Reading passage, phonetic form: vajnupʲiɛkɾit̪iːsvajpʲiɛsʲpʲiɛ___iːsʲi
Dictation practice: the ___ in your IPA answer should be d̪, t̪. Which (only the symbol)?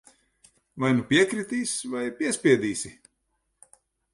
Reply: d̪